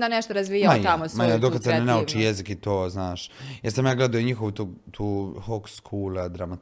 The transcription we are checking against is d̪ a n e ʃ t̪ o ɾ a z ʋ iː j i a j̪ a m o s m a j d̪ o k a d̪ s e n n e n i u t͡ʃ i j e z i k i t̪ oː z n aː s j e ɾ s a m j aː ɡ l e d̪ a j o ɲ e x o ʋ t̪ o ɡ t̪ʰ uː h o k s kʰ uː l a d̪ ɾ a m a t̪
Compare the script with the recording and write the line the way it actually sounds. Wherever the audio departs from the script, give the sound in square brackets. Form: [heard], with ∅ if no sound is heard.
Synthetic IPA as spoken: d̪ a n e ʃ t̪ o ɾ a z ʋ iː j [a] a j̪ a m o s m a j d̪ o k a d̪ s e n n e n [a] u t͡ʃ i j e z i k i t̪ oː z n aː [ʃ] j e ɾ s a m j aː ɡ l e d̪ a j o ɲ [i] x o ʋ t̪ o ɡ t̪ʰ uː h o k s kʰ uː l a d̪ ɾ a m a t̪